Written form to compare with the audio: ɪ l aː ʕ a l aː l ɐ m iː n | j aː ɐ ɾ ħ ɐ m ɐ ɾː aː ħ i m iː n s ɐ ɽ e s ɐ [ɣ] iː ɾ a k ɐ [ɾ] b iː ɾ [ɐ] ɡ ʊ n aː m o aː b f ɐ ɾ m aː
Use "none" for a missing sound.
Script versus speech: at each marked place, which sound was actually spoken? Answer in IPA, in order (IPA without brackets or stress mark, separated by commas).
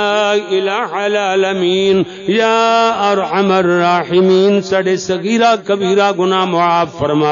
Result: ɣ, none, a